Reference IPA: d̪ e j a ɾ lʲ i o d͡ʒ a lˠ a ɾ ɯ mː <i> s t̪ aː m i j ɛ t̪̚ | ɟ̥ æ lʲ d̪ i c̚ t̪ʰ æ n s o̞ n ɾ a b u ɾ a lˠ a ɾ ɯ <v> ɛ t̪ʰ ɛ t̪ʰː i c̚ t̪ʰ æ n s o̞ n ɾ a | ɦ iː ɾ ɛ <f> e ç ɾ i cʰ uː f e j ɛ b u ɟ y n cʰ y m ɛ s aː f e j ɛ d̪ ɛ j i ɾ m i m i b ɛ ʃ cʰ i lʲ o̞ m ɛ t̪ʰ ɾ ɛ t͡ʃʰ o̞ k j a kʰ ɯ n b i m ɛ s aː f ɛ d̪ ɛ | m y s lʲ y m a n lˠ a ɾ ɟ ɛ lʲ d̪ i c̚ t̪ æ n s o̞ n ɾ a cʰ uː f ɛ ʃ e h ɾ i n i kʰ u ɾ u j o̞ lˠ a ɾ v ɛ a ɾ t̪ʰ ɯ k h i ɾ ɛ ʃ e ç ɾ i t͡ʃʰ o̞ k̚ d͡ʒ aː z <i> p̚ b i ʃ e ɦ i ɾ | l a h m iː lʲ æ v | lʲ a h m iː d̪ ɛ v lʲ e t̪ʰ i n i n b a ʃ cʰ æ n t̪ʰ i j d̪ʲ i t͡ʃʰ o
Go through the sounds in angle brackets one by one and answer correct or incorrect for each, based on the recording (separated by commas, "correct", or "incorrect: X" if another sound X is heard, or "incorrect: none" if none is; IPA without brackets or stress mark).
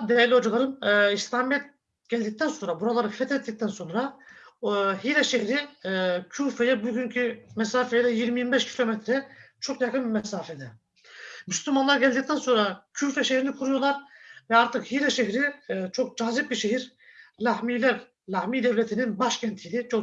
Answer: correct, incorrect: f, incorrect: ʃ, correct